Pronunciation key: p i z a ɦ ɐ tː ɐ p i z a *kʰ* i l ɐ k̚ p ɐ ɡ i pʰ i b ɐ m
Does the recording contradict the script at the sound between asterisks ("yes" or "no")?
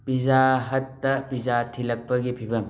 yes